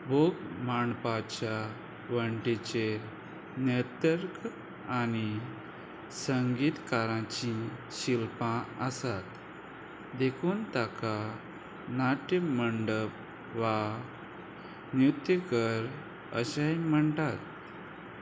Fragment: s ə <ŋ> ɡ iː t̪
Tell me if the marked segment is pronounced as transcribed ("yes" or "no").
yes